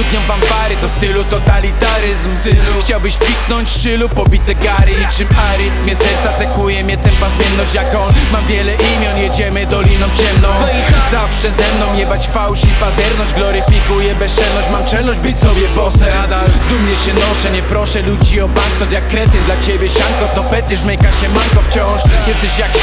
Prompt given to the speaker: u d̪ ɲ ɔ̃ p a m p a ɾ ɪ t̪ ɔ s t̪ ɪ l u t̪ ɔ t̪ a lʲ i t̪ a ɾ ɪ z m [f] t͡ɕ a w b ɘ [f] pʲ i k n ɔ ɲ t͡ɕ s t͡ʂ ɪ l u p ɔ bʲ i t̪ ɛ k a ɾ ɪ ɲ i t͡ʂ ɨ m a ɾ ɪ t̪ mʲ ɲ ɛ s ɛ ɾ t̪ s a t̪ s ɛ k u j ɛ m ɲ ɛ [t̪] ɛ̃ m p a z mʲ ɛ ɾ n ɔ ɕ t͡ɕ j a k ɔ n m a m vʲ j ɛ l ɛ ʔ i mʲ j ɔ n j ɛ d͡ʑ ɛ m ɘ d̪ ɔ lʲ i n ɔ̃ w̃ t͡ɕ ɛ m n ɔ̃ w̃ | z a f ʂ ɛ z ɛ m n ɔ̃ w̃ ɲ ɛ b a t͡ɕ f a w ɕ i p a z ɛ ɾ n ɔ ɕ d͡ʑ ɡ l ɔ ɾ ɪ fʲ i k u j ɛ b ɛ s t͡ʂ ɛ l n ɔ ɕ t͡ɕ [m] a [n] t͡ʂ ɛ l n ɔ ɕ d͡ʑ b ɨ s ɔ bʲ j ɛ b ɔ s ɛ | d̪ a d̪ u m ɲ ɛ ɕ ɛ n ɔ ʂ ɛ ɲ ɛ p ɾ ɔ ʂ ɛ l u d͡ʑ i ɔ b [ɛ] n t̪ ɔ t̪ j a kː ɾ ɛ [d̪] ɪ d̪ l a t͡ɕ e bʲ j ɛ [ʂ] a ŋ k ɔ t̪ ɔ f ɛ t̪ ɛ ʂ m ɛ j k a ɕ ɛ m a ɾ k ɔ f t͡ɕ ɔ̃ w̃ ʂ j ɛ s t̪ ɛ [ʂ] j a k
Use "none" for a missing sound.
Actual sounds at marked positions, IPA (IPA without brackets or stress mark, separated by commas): x, ɕ, t̪, m, m, a, t̪, ɕ, ɕ